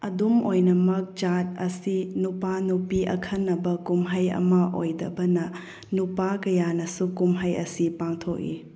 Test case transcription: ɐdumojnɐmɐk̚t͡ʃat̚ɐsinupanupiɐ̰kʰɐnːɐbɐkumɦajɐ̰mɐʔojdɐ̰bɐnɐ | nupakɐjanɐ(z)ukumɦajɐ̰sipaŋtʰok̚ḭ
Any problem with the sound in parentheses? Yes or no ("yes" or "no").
yes